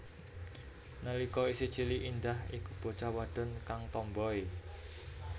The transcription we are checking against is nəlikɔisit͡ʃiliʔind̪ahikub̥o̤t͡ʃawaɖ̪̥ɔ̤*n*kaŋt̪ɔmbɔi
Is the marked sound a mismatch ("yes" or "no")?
no